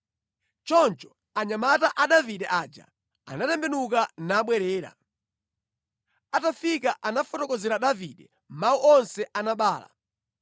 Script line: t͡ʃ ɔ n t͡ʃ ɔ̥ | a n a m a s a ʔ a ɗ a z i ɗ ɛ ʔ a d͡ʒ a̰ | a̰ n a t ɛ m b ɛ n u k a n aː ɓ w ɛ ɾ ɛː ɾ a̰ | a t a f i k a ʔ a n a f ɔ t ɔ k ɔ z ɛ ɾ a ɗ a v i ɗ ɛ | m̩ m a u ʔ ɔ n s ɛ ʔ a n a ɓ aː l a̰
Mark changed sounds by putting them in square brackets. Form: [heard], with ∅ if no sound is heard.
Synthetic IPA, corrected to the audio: t͡ʃ ɔ n t͡ʃ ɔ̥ | a [ɲ] a m a [t] a ʔ a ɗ a [v] i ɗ ɛ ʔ a d͡ʒ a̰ | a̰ n a t ɛ m b ɛ n u k a n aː ɓ w ɛ ɾ ɛː ɾ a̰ | a t a f i k a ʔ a n a f ɔ t ɔ k ɔ z ɛ ɾ a ɗ a v i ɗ ɛ | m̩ m a u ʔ ɔ n s ɛ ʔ a n a ɓ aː l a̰